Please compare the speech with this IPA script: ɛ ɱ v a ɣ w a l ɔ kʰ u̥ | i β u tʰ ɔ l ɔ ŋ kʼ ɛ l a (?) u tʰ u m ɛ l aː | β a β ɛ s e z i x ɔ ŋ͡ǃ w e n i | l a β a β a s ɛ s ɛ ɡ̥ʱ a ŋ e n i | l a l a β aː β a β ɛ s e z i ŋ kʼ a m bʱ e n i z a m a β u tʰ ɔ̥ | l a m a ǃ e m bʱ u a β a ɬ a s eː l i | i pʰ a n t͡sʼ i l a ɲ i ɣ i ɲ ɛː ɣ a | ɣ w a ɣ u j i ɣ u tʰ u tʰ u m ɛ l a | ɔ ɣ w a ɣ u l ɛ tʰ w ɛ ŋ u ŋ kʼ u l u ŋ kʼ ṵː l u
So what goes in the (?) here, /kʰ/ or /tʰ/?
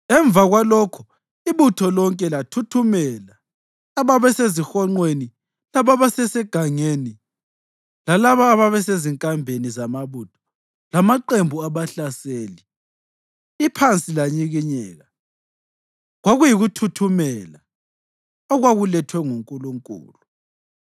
tʰ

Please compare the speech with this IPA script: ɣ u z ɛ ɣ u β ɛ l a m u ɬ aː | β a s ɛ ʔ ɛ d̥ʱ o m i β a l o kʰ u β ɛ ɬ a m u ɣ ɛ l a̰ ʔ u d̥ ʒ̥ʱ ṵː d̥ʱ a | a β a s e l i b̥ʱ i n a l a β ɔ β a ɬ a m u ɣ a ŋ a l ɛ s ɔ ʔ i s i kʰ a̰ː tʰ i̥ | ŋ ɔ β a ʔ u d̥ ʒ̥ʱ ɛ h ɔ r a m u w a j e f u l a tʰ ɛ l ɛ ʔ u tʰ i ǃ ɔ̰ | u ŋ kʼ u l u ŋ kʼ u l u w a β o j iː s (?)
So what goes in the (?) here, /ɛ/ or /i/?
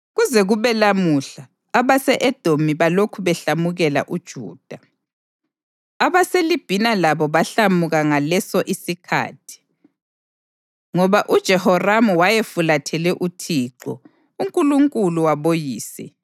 ɛ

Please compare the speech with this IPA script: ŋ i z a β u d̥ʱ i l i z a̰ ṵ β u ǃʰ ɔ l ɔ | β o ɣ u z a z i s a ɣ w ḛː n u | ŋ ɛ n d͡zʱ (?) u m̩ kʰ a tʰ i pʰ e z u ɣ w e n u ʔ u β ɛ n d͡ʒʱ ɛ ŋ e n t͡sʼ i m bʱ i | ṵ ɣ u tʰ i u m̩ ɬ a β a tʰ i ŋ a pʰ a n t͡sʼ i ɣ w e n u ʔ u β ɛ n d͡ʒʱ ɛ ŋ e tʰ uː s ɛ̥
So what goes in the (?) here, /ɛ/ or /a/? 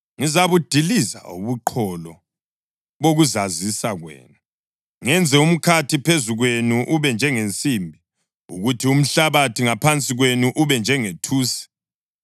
ɛ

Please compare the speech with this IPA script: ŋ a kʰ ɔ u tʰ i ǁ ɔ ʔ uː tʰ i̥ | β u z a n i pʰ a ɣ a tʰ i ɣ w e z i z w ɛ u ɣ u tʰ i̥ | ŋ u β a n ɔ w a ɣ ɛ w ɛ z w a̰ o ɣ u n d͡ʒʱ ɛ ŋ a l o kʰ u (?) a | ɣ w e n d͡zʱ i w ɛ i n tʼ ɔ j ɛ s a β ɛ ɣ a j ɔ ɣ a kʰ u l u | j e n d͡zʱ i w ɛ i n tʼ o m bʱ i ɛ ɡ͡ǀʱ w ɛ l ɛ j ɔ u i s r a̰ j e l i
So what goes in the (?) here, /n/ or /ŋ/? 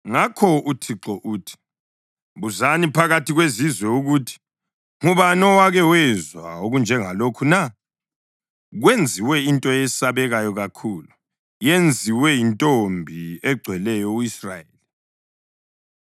n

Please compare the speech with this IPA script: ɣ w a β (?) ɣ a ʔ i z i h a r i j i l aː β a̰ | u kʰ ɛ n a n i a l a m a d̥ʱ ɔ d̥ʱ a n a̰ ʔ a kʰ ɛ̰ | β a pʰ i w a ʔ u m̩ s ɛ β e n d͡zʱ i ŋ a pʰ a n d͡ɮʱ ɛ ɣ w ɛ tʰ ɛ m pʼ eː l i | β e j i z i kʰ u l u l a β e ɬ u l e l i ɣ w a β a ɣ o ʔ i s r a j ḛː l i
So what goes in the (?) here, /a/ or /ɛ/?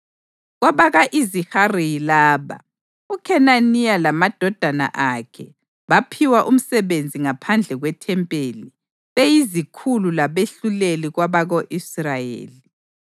a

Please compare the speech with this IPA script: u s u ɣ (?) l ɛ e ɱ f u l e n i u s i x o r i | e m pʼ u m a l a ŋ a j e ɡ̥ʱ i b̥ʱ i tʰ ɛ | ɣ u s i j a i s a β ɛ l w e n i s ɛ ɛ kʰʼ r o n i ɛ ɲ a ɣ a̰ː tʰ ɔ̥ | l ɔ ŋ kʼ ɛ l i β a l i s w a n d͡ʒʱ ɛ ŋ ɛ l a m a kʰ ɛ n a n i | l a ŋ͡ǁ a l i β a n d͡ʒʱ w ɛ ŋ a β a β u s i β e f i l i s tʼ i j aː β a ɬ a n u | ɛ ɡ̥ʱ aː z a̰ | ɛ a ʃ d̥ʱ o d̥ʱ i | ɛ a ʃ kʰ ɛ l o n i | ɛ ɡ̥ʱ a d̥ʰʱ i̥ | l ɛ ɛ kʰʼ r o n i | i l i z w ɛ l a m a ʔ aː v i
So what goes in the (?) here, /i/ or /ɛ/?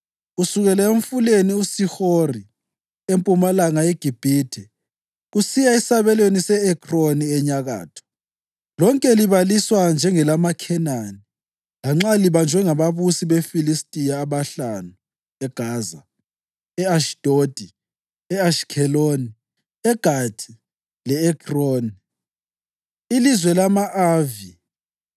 ɛ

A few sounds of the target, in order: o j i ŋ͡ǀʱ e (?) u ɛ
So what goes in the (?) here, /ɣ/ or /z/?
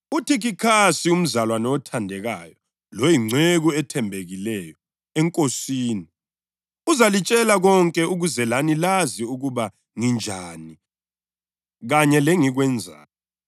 ɣ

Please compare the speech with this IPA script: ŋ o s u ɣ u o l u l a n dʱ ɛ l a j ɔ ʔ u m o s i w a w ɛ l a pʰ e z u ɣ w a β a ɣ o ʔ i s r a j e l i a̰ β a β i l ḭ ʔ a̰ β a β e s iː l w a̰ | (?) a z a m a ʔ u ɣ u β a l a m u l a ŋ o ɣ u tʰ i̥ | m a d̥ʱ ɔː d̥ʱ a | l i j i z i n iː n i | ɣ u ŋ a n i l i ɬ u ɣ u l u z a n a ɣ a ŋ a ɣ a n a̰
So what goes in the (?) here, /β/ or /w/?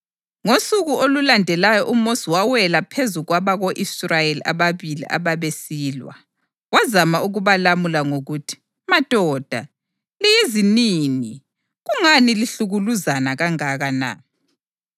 w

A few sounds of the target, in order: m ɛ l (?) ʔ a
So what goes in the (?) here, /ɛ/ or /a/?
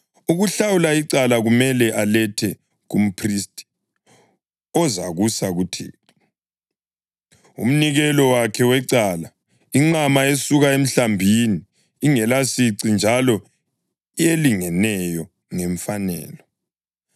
ɛ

